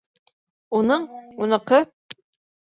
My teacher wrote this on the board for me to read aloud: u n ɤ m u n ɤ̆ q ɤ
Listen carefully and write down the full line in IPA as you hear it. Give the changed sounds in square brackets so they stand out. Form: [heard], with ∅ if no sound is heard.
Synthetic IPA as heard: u n ɤ [ɴ] u n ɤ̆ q ɤ